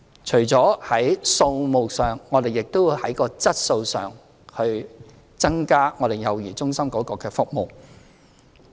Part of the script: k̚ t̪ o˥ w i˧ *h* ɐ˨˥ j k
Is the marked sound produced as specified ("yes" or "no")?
yes